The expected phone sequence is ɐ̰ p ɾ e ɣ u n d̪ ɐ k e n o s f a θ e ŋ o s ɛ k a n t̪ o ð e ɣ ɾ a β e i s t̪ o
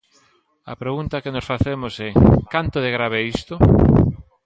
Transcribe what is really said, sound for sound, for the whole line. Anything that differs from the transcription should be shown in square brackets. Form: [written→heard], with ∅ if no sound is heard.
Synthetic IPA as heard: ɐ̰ p ɾ e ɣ u n [d̪→t̪] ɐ k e n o s f a θ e [ŋ→m] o s ɛ k a n t̪ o ð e ɣ ɾ a β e i s t̪ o